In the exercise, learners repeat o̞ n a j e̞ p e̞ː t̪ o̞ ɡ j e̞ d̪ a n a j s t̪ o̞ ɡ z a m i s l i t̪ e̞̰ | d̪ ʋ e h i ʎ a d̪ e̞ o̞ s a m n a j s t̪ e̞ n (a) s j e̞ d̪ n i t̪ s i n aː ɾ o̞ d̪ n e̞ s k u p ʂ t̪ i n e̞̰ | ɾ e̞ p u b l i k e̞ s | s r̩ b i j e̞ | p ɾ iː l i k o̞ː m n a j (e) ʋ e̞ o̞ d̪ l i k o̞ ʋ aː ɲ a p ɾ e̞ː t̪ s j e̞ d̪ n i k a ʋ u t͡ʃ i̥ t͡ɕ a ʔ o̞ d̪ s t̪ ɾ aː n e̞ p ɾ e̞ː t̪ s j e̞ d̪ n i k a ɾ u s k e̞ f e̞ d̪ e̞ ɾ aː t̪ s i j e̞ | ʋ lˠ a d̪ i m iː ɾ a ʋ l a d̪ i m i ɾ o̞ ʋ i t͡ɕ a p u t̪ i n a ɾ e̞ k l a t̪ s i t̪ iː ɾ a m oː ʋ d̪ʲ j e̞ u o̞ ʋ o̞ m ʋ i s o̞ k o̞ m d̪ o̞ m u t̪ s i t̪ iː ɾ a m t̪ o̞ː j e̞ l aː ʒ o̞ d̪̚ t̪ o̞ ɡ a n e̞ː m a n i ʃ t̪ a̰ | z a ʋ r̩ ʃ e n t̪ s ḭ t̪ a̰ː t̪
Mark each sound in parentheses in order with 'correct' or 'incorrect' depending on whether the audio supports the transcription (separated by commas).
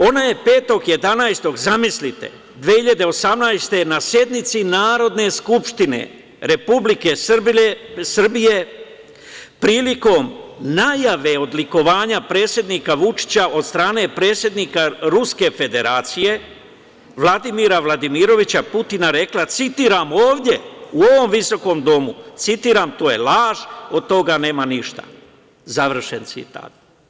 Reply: correct, incorrect